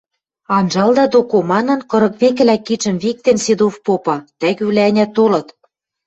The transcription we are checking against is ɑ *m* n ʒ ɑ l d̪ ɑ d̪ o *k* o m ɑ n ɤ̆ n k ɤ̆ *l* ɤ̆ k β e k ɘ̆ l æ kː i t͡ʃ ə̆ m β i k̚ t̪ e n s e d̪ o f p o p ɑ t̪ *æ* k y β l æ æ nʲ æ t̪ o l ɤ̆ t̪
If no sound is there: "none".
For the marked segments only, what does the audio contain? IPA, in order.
none, k, ɾ, æ

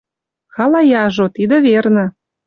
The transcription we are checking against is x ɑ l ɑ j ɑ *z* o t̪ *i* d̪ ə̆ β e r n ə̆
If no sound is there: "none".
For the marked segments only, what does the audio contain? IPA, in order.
ʒ, i

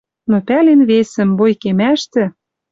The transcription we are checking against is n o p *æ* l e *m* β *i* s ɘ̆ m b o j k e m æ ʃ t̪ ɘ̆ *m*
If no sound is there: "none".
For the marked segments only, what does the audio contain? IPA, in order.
æ, n, e, none

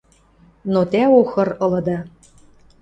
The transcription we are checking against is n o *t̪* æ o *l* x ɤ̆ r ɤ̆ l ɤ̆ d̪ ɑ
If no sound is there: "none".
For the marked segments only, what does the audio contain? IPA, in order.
t̪, none

